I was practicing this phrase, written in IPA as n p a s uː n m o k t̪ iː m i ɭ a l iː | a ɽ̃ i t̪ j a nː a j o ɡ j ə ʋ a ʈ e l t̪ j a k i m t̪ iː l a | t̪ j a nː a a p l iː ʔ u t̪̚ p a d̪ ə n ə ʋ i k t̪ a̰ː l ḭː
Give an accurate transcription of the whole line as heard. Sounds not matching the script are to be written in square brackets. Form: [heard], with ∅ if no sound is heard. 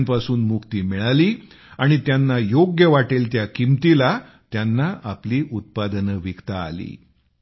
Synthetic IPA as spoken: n p a s uː n m [u] k t̪ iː m i ɭ a l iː | a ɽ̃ i t̪ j a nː a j o ɡ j ə ʋ a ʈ e l t̪ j a k i m t̪ [i] l a | t̪ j a nː a a p l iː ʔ u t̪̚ p a d̪ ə n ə ʋ i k t̪ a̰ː l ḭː